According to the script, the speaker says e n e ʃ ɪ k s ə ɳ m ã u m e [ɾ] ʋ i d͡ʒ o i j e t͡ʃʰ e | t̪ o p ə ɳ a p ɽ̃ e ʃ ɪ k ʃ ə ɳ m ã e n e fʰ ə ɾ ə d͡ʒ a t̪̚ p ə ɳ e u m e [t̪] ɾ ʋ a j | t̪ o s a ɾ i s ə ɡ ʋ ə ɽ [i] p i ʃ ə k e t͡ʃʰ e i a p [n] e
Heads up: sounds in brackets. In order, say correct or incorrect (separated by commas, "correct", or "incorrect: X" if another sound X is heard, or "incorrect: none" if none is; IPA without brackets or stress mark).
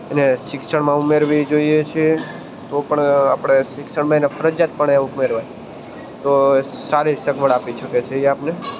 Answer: correct, incorrect: none, incorrect: a, correct